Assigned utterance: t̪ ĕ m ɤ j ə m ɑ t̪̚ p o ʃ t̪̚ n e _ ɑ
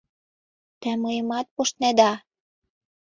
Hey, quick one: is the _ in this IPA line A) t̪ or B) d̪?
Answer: B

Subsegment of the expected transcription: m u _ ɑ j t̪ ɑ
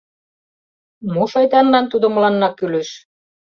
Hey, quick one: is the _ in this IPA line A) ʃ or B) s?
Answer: A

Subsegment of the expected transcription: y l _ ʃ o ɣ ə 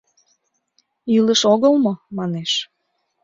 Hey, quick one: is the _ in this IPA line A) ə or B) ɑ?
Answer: A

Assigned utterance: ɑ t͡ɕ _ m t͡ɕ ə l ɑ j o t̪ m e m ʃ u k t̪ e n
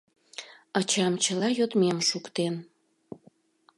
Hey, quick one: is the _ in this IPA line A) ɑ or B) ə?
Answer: A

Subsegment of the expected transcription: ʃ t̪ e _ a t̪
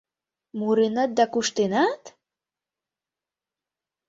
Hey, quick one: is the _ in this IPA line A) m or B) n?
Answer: B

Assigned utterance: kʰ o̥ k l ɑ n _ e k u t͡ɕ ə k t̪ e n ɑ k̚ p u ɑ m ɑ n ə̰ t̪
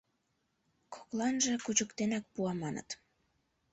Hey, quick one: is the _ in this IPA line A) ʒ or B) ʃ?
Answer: A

